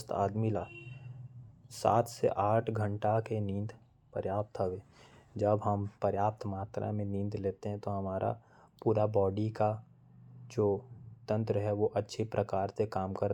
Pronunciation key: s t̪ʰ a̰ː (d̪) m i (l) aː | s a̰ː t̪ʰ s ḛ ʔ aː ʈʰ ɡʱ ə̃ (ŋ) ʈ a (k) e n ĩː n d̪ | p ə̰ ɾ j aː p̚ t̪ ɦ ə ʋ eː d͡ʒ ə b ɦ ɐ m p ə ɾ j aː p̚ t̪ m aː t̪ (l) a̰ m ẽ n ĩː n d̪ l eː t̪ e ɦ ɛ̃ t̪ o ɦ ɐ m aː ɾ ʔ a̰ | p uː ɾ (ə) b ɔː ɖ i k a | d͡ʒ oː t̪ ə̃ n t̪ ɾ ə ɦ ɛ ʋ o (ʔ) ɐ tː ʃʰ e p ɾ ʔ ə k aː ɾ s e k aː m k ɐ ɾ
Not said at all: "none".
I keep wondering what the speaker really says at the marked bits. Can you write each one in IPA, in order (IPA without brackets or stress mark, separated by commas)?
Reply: d̪, l, ɳ, k, ɾ, a, ʔ